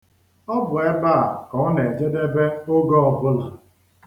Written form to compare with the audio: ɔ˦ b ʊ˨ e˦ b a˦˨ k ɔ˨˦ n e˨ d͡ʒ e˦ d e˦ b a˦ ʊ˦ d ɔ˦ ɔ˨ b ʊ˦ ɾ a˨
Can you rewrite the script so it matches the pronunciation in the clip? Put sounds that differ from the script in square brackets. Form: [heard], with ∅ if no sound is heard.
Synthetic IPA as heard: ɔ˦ b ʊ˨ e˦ b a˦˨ k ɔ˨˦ n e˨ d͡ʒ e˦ d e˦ b [e˦] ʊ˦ [ɡ] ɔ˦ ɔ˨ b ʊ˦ [l] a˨